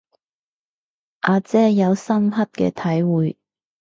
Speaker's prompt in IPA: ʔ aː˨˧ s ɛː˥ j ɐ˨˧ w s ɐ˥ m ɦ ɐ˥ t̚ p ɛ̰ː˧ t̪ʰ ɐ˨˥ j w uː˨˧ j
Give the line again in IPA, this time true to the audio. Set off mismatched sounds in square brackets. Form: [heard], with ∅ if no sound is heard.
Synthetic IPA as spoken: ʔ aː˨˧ [t͡s] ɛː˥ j ɐ˨˧ w s ɐ˥ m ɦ ɐ˥ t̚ [k] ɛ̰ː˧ t̪ʰ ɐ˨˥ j w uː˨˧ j